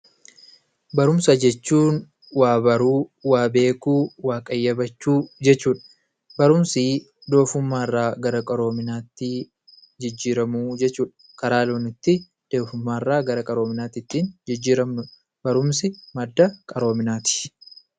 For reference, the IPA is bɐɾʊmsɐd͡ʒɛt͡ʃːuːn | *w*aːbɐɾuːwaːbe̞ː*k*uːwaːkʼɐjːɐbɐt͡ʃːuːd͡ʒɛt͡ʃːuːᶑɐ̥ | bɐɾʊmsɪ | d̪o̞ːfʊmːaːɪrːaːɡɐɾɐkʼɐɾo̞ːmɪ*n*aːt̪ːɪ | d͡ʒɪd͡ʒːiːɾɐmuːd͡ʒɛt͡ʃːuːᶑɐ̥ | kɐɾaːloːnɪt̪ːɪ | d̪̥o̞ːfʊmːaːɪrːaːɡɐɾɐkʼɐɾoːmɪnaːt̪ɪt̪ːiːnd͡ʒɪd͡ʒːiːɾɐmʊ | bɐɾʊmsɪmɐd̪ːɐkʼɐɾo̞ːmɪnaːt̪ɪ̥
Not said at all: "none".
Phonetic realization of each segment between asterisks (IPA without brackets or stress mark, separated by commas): w, k, n